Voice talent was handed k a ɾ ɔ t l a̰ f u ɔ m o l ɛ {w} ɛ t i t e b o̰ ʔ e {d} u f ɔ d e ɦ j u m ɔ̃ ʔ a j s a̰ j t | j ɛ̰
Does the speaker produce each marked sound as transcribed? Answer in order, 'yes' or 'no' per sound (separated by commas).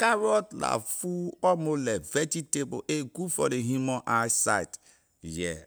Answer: no, no